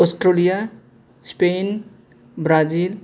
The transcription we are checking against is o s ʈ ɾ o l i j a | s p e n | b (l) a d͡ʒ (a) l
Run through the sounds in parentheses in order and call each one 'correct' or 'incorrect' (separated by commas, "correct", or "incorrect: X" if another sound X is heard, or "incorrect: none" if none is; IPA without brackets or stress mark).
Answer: incorrect: ɾ, incorrect: i